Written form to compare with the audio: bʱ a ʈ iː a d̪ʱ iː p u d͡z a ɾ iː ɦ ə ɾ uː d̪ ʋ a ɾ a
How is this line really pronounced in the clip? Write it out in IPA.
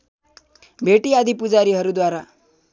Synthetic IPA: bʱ e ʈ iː a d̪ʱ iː p u d͡z a ɾ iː ɦ ə ɾ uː d̪ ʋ a ɾ a